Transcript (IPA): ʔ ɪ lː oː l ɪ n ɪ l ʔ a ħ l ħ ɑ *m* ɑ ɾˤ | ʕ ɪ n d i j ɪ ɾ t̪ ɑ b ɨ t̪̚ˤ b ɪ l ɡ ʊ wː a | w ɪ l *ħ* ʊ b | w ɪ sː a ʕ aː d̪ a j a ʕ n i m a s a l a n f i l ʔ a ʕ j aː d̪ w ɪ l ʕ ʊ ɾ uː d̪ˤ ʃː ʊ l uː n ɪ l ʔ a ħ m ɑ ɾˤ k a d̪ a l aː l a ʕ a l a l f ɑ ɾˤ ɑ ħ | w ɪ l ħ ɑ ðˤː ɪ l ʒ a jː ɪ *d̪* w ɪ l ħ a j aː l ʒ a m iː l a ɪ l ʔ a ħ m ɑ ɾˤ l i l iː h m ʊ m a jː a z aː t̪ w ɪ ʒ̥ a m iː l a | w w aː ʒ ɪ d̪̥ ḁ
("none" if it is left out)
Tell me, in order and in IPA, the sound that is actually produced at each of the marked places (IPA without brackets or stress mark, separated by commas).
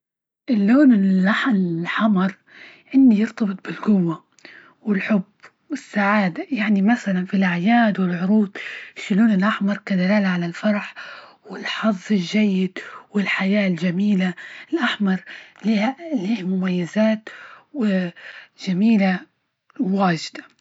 m, ħ, d̪